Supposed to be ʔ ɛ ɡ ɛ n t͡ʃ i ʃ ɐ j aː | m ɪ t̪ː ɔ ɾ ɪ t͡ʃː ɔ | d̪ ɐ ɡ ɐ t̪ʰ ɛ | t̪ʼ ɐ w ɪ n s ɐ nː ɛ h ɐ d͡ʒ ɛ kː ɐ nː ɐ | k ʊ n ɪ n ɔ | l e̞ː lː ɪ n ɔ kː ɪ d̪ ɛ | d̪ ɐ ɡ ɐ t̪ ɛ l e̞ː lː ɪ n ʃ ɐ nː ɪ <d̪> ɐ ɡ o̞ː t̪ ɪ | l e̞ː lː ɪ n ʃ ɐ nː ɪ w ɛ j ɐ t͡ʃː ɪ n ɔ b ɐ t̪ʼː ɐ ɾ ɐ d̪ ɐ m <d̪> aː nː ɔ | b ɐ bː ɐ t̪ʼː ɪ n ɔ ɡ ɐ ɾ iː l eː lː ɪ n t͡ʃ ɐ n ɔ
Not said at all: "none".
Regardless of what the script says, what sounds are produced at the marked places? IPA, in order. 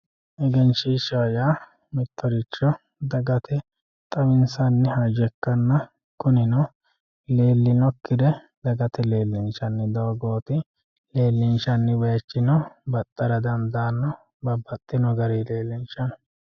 d̪, d̪

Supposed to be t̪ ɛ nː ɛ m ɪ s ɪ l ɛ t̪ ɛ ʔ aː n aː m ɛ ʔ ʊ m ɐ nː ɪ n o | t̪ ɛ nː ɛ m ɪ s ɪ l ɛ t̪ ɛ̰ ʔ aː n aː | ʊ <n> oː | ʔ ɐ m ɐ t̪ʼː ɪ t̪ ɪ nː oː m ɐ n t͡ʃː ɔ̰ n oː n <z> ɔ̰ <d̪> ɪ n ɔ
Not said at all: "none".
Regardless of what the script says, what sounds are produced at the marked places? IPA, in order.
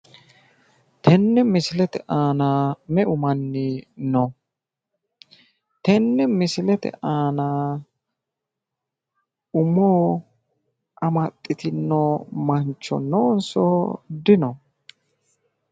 m, s, d̪

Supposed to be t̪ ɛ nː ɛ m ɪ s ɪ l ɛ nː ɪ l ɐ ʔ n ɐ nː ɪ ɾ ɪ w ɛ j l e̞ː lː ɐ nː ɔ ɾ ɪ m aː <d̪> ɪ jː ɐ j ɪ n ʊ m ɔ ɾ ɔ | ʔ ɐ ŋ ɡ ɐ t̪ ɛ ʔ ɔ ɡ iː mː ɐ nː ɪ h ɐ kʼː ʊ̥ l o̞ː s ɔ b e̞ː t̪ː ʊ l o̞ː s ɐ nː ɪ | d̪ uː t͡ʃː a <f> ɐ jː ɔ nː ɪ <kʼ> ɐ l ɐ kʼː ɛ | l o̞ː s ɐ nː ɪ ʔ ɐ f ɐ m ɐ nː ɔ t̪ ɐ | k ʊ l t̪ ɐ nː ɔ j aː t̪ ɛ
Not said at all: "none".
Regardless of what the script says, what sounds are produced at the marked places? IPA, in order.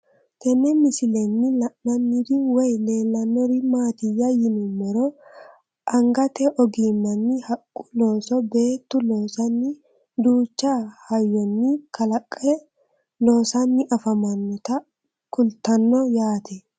t̪, h, k

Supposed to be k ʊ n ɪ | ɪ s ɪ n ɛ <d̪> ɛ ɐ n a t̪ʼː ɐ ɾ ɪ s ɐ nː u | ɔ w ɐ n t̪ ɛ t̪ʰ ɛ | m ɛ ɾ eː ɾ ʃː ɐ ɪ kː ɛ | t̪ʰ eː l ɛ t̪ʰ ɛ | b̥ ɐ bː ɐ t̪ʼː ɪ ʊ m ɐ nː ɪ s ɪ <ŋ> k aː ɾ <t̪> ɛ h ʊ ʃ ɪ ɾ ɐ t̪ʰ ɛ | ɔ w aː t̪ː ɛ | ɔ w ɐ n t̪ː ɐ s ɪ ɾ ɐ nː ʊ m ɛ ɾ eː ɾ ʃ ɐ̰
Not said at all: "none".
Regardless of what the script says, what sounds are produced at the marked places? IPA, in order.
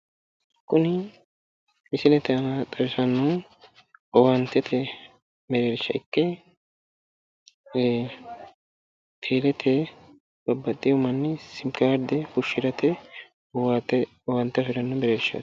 t̪, m, d̪

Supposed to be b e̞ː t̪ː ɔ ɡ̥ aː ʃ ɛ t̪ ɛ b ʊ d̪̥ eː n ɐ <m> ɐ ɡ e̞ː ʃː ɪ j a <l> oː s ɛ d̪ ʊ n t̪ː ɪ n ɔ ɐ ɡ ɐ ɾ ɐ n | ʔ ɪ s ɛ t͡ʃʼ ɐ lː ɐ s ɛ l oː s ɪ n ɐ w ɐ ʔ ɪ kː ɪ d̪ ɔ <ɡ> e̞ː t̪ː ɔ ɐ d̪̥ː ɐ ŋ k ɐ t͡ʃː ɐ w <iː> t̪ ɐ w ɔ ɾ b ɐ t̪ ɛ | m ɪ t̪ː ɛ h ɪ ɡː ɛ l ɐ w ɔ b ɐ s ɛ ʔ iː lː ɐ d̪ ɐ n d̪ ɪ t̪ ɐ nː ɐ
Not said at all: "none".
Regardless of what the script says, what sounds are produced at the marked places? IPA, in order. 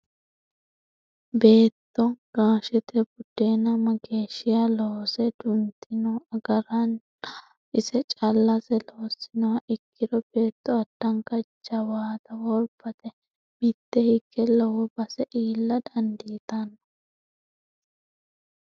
m, l, b, aː

